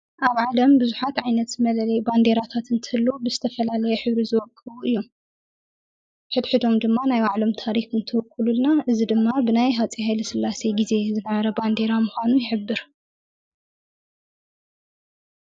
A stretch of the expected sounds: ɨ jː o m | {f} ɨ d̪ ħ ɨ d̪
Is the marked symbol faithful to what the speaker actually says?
no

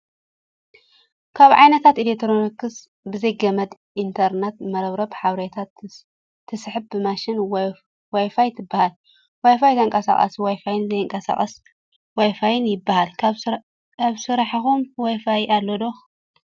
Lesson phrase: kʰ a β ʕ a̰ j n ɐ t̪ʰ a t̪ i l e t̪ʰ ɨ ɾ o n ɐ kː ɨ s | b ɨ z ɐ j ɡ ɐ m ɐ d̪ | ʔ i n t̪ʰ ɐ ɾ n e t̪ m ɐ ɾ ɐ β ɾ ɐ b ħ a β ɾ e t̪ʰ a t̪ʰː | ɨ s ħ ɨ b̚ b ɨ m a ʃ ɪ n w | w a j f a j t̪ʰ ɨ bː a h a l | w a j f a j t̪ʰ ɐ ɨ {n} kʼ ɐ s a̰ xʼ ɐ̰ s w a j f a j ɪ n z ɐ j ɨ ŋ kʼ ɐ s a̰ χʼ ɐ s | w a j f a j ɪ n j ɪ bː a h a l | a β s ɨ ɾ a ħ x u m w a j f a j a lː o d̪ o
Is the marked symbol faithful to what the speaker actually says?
no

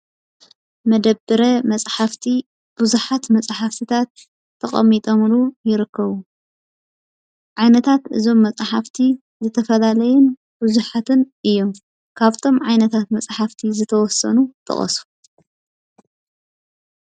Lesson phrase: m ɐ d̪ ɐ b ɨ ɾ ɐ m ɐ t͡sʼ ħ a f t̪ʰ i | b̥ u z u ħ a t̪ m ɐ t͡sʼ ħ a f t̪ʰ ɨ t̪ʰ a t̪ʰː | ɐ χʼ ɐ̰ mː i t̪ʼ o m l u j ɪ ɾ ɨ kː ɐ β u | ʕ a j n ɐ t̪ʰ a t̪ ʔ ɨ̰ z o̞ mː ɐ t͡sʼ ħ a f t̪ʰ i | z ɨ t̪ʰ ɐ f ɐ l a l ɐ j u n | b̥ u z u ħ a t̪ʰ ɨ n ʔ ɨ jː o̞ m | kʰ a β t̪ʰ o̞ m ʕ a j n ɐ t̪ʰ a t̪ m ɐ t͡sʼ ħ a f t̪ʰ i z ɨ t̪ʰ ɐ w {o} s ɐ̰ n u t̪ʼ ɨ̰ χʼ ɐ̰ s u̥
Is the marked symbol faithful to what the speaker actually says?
no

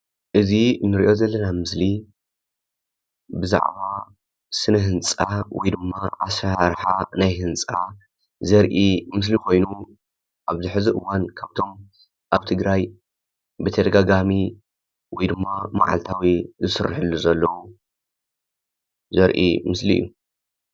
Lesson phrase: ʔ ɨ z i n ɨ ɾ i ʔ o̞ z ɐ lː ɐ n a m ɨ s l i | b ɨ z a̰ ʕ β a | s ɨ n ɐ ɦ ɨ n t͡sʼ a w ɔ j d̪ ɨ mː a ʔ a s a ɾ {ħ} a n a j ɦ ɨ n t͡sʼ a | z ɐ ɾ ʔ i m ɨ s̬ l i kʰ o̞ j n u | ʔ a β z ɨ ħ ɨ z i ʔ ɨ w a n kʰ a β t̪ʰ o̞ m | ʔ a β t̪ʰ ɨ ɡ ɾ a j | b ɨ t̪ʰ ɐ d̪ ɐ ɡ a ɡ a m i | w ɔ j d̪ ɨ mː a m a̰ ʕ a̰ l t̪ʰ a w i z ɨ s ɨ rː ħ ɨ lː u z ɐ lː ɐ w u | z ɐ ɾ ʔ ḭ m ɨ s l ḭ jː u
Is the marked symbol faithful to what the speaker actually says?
yes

